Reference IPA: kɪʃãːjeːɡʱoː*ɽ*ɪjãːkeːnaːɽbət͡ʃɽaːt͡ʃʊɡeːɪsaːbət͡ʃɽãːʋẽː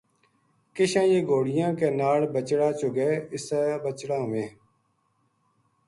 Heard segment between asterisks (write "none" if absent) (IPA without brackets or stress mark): ɽ